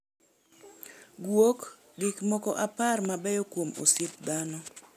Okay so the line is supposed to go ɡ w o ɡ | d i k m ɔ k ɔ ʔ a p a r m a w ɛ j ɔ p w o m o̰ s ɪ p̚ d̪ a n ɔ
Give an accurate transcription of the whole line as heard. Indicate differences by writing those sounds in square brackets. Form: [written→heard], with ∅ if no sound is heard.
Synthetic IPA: ɡ w o [ɡ→k] | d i k m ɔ k ɔ ʔ a p a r m a [w→b] ɛ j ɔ [p→k] w o m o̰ s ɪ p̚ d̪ a n ɔ